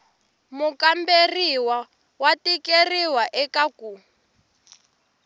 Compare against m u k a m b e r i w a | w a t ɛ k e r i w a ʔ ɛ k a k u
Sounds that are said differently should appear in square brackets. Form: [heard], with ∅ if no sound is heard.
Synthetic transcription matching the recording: m u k a m b e r i w a | w a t [i] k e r i w a ʔ ɛ k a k u